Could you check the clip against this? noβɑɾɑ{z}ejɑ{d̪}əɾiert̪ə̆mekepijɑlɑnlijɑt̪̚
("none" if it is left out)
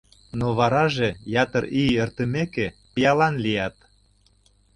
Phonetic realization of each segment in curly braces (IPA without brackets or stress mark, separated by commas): ʒ, t̪